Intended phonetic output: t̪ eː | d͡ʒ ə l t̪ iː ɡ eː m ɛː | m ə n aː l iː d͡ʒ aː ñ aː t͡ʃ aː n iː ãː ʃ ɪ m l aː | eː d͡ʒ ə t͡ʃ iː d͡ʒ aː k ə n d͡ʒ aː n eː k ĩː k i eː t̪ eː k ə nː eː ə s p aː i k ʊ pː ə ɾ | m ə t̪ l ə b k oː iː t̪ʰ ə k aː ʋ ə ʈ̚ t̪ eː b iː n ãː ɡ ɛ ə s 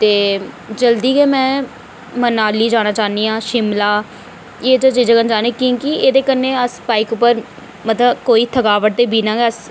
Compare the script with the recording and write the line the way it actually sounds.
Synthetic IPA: t̪ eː | d͡ʒ ə l d̪ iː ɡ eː m ɛ̃ː | m ə n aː l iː d͡ʒ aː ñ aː t͡ʃ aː n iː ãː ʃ ɪ m l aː | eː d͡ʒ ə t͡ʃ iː d͡ʒ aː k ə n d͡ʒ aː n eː k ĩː k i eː d̪ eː k ə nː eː ə s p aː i k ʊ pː ə ɾ | m ə t̪ l ə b k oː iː t̪ʰ ə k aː ʋ ə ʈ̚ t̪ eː b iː n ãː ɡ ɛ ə s